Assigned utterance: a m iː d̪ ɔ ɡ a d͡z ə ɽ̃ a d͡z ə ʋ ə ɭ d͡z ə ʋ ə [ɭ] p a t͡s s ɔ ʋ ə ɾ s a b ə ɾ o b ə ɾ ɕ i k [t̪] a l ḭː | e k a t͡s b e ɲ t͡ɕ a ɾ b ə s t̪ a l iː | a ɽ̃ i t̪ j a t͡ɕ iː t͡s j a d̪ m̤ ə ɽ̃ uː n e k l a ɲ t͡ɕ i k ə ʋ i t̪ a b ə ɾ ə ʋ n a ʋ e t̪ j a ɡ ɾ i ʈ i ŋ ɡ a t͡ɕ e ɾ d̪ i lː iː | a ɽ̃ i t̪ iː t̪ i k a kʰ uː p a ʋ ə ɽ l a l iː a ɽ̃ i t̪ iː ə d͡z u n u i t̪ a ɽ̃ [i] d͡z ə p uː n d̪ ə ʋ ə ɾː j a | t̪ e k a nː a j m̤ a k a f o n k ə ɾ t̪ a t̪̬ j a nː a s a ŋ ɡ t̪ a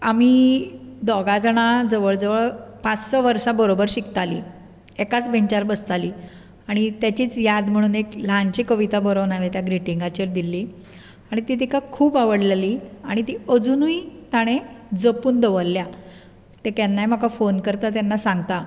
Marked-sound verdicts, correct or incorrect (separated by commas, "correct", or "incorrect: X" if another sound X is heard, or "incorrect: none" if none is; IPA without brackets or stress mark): correct, correct, incorrect: e